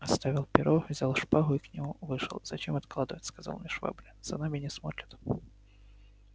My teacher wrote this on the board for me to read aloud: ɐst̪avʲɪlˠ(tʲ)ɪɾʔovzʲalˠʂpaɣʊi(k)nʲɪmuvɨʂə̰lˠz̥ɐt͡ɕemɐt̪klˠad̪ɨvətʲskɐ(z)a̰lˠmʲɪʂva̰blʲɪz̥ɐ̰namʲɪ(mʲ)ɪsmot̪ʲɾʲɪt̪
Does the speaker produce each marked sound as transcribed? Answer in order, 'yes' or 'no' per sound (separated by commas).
no, yes, yes, no